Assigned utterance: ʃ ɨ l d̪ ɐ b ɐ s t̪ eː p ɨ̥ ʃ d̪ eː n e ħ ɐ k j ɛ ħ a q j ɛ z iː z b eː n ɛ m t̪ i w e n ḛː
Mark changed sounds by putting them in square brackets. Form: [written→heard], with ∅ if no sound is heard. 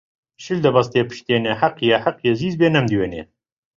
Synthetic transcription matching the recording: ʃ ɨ l d̪ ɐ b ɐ s t̪ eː p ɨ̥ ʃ [d̪→t̪] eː n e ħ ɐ [k→q] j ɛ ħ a q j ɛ z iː z b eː n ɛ m [t̪→d̪] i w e n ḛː

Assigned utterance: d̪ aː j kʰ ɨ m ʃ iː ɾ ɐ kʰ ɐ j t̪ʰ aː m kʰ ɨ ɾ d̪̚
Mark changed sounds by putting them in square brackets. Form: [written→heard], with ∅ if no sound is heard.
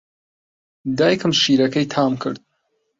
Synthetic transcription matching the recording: d̪ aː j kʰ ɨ m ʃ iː ɾ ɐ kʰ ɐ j t̪ʰ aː m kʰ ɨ ɾ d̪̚

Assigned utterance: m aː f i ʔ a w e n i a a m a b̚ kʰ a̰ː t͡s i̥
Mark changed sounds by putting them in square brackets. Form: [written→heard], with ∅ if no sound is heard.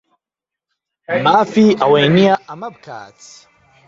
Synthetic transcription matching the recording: m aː f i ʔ a w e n i a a m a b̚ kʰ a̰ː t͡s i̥

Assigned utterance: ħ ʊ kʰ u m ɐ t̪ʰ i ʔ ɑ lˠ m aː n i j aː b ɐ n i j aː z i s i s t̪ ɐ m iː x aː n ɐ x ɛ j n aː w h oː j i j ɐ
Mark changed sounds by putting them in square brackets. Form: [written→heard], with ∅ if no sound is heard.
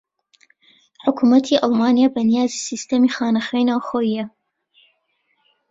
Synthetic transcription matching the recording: ħ ʊ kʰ u m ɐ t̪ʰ i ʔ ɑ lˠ m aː n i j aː b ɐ n i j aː z i s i s t̪ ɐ m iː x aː n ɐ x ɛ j n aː w [h→x] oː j i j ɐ

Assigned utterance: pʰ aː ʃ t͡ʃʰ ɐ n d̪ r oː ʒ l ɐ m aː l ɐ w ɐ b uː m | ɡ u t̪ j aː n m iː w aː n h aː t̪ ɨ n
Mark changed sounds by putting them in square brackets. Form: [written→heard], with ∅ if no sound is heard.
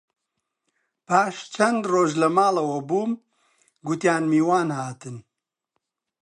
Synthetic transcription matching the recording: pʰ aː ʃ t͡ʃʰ ɐ n d̪ r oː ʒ l ɐ m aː l ɐ w ɐ b uː m | ɡ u t̪ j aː n m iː w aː n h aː t̪ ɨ n

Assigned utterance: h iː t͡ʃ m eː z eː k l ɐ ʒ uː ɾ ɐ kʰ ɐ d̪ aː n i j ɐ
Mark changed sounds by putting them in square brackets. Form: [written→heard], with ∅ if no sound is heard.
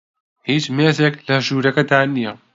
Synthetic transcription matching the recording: h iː t͡ʃ m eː z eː k l ɐ ʒ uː ɾ ɐ [kʰ→k] ɐ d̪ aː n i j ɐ

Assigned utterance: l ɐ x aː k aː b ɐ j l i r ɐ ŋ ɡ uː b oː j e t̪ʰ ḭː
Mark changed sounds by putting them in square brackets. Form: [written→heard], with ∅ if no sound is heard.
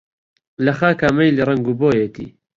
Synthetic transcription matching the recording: l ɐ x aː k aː [b→m] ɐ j l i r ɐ ŋ ɡ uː b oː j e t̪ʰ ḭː

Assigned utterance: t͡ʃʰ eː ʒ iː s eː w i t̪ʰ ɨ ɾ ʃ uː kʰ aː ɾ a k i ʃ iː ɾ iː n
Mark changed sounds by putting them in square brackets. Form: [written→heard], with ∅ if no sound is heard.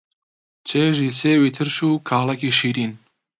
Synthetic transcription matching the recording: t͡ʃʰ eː ʒ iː s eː w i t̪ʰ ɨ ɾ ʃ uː kʰ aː [ɾ→l] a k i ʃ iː ɾ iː n

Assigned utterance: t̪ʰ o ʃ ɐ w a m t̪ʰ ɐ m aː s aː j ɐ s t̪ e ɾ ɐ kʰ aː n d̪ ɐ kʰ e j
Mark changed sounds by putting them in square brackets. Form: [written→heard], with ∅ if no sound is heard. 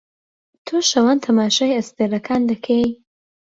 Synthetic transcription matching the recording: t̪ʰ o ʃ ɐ w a [m→n] t̪ʰ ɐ m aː [s→ʃ] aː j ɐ s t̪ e ɾ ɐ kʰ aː n d̪ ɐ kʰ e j

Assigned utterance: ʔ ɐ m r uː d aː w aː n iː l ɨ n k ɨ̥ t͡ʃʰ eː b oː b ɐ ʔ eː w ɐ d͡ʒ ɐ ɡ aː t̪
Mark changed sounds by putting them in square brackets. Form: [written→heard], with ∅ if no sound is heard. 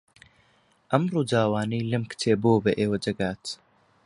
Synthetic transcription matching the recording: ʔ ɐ m r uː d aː w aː n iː l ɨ [n→m] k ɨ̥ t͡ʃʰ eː b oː b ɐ ʔ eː w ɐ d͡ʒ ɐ ɡ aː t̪

